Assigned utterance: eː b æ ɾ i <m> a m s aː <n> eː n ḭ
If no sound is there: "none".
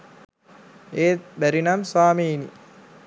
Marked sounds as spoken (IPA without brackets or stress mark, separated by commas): n, m